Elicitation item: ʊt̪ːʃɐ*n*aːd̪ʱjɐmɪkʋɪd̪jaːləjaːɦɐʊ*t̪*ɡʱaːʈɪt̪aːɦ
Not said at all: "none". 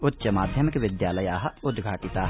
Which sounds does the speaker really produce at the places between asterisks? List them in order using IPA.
m, d̪

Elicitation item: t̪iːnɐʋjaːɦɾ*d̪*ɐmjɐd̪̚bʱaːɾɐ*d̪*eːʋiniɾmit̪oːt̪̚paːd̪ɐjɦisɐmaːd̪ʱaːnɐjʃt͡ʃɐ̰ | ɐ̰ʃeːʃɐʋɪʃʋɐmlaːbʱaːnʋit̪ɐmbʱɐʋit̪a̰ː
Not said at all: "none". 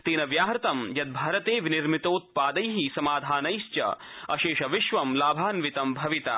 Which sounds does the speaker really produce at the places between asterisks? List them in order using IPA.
t̪, t̪

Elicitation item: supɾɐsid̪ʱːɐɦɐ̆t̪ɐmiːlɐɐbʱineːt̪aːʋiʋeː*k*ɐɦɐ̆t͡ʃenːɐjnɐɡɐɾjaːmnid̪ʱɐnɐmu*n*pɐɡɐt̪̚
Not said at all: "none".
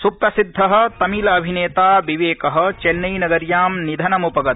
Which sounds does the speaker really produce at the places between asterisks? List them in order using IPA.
k, none

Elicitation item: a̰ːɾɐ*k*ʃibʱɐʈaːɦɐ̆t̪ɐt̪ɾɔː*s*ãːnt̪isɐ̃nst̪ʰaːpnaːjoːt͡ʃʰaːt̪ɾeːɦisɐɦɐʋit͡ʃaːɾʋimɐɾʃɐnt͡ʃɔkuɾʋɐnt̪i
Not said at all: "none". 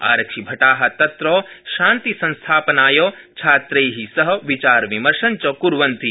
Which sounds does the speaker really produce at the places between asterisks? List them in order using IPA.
k, ʃ

